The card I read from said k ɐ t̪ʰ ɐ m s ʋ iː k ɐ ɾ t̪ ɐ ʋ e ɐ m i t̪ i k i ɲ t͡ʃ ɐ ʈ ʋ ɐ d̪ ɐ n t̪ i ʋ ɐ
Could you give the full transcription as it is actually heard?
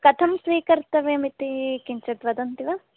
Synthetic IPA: k ɐ t̪ʰ ɐ m s ʋ iː k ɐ ɾ t̪ ɐ ʋ e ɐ m i t̪ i k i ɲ t͡ʃ ɐ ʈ ʋ ɐ d̪ ɐ n t̪ i ʋ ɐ